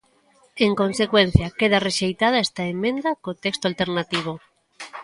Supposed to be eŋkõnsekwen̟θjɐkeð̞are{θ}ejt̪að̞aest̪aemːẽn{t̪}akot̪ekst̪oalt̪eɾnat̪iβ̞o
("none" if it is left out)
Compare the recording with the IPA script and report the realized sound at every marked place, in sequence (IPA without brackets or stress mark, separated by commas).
ʃ, d̪